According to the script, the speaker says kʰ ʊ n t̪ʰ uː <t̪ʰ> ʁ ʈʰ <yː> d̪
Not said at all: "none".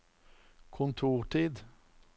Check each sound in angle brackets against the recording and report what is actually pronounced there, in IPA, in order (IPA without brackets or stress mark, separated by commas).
none, iː